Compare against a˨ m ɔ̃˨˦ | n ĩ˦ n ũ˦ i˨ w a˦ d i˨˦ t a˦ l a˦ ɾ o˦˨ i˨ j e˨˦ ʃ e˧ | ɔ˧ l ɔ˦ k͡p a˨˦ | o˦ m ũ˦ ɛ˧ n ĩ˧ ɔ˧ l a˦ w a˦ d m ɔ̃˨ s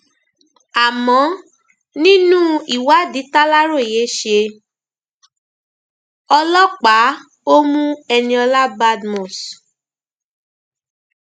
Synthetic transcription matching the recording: a˨ m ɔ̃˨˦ | n ĩ˦ n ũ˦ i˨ w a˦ d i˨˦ t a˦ l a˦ ɾ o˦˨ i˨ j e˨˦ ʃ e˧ | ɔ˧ l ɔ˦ k͡p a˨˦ | o˦ m ũ˦ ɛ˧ n ĩ˧ ɔ˧ l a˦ b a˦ d m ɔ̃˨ s